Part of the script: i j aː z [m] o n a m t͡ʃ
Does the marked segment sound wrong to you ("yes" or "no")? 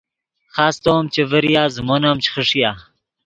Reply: no